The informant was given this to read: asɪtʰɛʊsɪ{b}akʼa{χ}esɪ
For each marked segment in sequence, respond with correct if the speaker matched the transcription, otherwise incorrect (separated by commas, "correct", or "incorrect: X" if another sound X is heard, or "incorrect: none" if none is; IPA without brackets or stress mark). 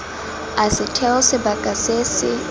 correct, incorrect: s